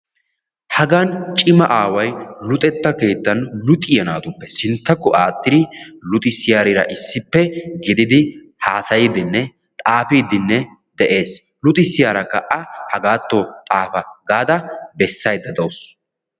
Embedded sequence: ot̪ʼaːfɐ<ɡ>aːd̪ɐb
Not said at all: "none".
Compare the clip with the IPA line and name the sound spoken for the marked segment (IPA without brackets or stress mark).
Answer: ɡ